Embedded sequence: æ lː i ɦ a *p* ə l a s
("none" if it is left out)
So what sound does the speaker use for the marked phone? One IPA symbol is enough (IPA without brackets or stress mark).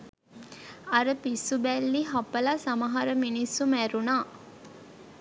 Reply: p